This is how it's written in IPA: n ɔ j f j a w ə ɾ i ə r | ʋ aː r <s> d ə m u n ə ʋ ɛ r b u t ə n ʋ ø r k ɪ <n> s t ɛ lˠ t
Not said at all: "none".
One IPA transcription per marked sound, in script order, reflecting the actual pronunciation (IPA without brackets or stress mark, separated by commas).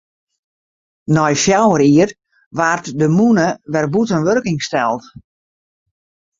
t, ŋ